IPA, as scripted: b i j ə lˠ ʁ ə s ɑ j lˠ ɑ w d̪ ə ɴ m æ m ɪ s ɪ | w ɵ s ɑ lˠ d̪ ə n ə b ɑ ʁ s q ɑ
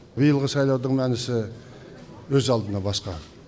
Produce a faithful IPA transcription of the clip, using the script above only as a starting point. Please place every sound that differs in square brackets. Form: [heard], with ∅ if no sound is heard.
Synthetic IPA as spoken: b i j ə lˠ ʁ ə s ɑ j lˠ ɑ w d̪ ə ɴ m æ [n] ɪ s ɪ | w ɵ [z] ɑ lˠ d̪ ə n [ɑ] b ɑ [∅] s q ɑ